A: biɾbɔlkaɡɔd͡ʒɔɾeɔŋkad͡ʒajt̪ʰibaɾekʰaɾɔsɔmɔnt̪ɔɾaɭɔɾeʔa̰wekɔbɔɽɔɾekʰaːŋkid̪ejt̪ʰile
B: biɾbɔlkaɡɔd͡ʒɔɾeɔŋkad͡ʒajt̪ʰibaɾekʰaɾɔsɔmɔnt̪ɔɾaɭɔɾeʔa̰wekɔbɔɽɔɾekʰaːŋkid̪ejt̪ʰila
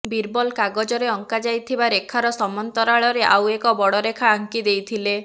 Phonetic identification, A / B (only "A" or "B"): A